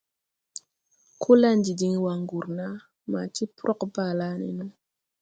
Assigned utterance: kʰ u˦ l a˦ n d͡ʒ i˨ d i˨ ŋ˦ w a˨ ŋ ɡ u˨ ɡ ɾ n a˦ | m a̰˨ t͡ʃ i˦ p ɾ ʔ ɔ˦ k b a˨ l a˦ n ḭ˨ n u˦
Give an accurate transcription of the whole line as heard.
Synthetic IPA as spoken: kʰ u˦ l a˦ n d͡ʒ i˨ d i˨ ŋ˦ w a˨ ŋ ɡ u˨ ɾ n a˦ | m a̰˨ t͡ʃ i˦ p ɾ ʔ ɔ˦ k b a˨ l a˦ n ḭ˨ n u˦